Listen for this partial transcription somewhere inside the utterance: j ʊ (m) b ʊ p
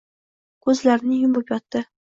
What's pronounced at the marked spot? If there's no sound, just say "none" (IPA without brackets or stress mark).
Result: m